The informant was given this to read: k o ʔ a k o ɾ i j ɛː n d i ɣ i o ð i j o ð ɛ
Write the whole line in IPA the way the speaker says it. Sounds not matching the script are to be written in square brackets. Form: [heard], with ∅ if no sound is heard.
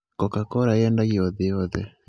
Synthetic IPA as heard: k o [k] a k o ɾ [a] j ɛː n d [a] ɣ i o ð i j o ð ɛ